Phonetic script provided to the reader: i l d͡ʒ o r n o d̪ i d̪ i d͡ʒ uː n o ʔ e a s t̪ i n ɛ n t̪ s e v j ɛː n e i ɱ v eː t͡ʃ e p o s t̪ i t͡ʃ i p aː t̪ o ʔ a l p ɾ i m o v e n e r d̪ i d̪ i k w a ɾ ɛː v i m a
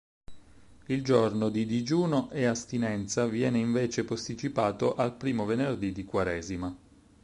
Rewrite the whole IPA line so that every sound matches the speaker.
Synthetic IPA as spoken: i l d͡ʒ o r n o d̪ i d̪ i d͡ʒ uː n o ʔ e a s t̪ i n ɛ n t̪ s a v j ɛː n e i ɱ v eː t͡ʃ e p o s t̪ i t͡ʃ i p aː t̪ o ʔ a l p ɾ iː m o v e n e r d̪ i d̪ i k w a ɾ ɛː z i m a